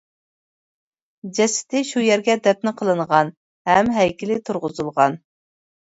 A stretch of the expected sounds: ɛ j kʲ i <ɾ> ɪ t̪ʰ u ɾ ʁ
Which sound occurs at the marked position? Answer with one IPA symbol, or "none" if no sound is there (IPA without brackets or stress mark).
l